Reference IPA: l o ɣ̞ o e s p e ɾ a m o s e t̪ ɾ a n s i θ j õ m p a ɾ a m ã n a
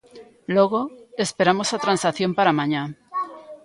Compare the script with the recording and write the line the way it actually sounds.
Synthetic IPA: l o ɣ̞ o e s p e ɾ a m o s a t̪ ɾ a n s a θ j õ m p a ɾ a m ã ɲ a